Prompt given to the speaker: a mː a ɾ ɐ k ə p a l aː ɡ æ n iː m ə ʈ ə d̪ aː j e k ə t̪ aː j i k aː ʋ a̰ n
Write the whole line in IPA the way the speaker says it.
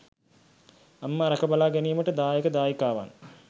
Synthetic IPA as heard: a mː a ɾ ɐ k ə b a l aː ɡ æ n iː m ə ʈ ə d̪ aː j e k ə d̪ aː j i k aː ʋ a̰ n

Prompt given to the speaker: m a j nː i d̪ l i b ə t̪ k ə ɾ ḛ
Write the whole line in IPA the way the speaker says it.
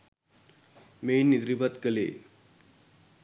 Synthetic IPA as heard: m e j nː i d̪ ɾ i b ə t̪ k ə l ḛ

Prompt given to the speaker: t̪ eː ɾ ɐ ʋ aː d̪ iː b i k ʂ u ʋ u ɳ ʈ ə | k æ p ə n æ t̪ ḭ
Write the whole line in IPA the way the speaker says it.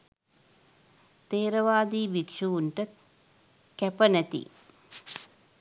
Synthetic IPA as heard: t̪ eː ɾ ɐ ʋ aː d̪ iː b i k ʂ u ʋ u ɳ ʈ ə | k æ p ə n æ t̪ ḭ

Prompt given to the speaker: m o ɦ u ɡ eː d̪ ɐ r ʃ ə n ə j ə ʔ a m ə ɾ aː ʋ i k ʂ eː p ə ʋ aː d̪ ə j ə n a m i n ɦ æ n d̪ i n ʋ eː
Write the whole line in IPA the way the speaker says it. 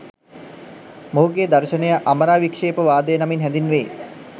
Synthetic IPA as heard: m o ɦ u ɡ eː d̪ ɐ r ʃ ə n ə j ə ʔ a m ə ɾ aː ʋ i k ʂ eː p ə ʋ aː d̪ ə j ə n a m i n ɦ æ n d̪ i n ʋ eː

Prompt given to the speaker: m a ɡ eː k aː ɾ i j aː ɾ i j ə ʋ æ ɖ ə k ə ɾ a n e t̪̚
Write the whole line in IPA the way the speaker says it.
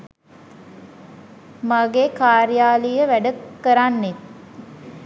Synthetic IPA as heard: m a ɡ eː k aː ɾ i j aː l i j ə ʋ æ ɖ ə k ə ɾ a nː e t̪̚

